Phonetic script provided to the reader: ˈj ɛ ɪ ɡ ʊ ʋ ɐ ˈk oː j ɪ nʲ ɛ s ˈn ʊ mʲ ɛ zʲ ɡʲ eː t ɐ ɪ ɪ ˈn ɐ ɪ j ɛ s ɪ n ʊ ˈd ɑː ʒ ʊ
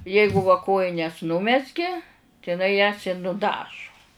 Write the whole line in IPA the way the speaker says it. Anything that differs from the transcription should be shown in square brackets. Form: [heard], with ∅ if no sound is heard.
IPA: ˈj ɛ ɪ ɡ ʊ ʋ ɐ ˈk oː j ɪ nʲ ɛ s ˈn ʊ mʲ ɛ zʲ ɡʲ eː t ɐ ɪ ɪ ˈn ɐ ɪ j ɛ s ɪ n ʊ ˈd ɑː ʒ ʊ